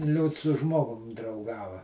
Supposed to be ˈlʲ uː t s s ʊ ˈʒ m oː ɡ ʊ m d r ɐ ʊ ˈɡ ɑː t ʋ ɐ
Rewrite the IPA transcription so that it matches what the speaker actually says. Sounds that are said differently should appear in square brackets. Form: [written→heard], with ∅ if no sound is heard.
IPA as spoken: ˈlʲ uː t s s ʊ ˈʒ m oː ɡ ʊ m d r ɐ ʊ ˈɡ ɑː [t→∅] ʋ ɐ